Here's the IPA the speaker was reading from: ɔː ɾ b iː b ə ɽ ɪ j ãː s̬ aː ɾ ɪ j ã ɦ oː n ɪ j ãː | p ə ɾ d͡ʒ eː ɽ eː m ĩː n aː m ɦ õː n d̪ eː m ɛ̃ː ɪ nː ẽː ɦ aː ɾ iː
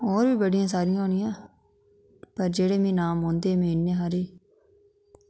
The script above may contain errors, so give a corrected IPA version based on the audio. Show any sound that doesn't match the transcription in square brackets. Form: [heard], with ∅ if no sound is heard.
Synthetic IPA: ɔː ɾ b iː b ə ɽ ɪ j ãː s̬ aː ɾ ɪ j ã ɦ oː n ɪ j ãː | p ə ɾ d͡ʒ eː ɽ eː m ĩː n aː m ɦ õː n d̪ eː m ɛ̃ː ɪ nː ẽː ɦ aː ɾ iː

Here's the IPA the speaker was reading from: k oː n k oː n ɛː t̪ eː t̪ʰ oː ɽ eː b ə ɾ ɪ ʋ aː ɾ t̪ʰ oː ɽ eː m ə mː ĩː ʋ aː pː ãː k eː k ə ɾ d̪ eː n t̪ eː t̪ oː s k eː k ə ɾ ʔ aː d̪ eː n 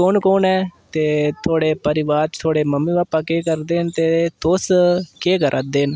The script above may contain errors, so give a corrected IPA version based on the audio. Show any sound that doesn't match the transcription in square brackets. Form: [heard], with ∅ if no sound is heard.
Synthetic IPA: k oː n k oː n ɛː t̪ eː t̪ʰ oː ɽ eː [p] ə ɾ ɪ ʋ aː ɾ t̪ʰ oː ɽ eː m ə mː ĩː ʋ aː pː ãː k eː k ə ɾ d̪ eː n t̪ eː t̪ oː s k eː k ə ɾ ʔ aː d̪ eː n

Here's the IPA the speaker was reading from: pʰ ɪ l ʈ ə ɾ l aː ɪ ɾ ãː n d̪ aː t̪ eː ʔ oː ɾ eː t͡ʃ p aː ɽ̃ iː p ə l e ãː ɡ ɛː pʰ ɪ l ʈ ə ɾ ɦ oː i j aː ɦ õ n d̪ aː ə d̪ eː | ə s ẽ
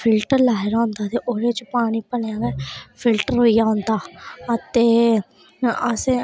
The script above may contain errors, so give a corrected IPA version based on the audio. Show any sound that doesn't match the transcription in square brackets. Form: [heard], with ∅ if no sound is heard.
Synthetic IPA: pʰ ɪ l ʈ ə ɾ l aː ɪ ɾ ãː n d̪ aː t̪ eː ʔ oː ɾ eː t͡ʃ p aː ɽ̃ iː p ə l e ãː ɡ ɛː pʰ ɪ l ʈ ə ɾ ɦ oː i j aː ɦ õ n d̪ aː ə [t̪] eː | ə s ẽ

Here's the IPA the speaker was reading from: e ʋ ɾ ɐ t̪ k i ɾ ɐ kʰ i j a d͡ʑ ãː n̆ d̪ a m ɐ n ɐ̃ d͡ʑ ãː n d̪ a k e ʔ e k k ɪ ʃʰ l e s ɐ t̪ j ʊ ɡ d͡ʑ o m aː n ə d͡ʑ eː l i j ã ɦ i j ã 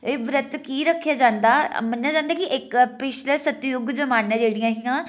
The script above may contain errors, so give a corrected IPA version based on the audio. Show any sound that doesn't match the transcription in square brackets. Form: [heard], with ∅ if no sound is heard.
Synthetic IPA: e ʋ ɾ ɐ t̪ k i ɾ ɐ kʰ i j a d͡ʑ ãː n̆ d̪ a m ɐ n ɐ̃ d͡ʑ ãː n d̪ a k [i] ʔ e k [p] ɪ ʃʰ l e s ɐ t̪ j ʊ ɡ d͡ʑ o m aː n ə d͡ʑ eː [ɽ] i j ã ɦ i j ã

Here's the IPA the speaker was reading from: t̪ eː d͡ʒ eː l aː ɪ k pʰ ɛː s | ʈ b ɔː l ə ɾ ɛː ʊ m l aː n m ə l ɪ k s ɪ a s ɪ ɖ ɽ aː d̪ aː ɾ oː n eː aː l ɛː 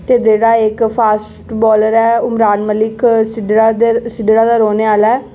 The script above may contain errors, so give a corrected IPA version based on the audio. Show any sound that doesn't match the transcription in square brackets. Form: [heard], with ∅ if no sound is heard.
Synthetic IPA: t̪ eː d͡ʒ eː [ɽ] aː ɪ k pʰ [aː] s | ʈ b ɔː l ə ɾ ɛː ʊ m [ɾ] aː n m ə l ɪ k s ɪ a s ɪ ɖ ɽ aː d̪ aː ɾ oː n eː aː l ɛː

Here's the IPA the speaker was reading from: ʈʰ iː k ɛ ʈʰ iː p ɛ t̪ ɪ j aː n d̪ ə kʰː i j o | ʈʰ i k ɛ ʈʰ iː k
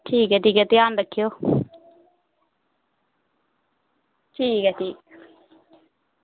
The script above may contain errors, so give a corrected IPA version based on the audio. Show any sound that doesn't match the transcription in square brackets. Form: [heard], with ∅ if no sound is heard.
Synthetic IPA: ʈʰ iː k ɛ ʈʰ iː [k] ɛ t̪ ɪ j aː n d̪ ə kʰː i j o | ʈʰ [iː] k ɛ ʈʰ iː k

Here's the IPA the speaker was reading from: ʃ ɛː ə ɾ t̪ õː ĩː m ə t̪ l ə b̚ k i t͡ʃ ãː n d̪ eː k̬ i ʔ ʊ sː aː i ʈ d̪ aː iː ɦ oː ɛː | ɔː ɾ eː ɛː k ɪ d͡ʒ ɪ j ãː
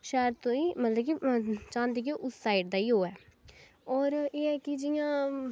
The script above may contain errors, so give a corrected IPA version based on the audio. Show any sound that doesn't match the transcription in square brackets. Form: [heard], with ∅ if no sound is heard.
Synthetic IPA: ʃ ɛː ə ɾ t̪ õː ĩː m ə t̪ l ə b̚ k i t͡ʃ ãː n d̪ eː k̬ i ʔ ʊ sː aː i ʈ d̪ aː iː ɦ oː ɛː | ɔː ɾ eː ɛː k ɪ d͡ʒ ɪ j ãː

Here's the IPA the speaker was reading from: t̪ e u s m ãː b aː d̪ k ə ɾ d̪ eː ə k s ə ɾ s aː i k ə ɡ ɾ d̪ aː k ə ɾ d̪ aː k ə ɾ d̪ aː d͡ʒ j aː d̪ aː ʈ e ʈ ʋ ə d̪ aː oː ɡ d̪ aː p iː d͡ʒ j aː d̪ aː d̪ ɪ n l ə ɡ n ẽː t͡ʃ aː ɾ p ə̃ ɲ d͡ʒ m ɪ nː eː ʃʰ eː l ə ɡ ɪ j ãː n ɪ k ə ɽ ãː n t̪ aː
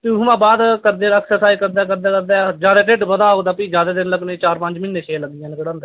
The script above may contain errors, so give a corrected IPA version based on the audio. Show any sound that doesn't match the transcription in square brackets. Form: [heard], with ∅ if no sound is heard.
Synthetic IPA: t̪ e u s m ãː b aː d̪ k ə ɾ d̪ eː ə k s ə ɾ s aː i k ə [∅] ɾ d̪ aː k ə ɾ d̪ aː k ə ɾ d̪ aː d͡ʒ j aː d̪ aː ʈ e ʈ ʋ ə d̪ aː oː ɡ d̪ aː p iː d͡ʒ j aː d̪ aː d̪ ɪ n l ə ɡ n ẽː t͡ʃ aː ɾ p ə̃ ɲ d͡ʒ m ɪ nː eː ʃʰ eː l ə ɡ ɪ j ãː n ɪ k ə ɽ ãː n [d̪] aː

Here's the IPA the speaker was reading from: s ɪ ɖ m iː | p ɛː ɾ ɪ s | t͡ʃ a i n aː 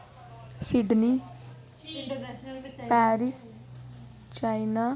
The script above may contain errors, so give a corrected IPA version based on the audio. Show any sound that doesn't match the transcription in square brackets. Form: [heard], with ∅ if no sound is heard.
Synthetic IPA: s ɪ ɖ [n] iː | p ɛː ɾ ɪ s | t͡ʃ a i n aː

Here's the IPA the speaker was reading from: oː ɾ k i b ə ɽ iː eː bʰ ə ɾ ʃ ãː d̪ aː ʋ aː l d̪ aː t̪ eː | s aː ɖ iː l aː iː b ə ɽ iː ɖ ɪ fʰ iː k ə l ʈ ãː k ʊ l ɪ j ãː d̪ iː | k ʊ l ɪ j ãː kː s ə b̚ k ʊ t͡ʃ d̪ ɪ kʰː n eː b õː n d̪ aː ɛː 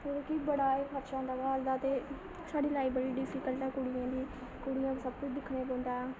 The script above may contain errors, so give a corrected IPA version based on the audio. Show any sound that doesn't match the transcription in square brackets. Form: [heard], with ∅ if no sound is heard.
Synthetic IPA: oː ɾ k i b ə ɽ [aː] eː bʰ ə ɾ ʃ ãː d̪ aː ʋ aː l d̪ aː t̪ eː | s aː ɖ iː l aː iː b ə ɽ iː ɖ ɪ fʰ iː k ə l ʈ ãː k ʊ [ɽ] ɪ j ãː d̪ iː | k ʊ [ɽ] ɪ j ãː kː s ə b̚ k ʊ t͡ʃ d̪ ɪ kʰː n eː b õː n d̪ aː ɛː

